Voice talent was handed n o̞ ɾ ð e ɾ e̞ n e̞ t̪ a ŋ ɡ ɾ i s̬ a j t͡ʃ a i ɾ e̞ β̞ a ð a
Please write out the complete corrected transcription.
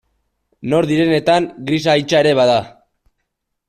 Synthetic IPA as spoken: n o̞ ɾ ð i ɾ e̞ n e̞ t̪ a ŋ ɡ ɾ i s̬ a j t͡ʃ a e ɾ e̞ β̞ a ð a